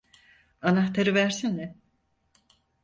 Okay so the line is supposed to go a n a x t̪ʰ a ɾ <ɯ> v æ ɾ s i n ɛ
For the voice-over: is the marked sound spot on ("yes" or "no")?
yes